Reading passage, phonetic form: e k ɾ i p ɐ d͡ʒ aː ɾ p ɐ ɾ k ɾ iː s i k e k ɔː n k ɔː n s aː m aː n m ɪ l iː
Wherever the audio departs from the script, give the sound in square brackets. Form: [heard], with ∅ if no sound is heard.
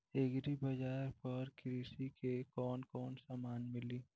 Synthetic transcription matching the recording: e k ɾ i [b] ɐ d͡ʒ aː ɾ p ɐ ɾ k ɾ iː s i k e k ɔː n k ɔː n s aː m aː n m ɪ l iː